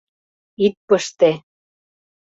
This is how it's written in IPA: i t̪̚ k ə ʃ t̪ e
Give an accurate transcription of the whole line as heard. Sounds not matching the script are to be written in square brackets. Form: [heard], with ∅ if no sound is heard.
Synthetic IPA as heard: i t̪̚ [p] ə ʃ t̪ e